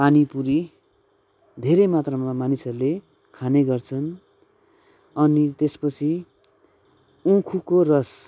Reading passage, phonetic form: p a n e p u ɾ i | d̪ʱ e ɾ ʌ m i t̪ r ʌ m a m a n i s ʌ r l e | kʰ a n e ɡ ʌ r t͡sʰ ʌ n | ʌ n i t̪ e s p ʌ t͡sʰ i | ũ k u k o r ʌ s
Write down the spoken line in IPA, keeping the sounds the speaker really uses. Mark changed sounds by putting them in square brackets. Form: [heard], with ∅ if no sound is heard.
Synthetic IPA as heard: p a n [i] p u ɾ i | d̪ʱ e ɾ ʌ m [a] t̪ r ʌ m a m a n i s ʌ r l e | kʰ a n e ɡ ʌ r t͡sʰ ʌ n | ʌ n i t̪ e s p ʌ t͡sʰ i | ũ [kʰ] u k o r ʌ s